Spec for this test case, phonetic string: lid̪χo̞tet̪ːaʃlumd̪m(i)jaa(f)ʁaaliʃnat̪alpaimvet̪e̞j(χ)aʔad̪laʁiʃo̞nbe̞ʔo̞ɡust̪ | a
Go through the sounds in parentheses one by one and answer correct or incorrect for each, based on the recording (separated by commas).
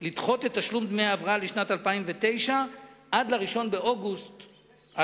incorrect, incorrect, incorrect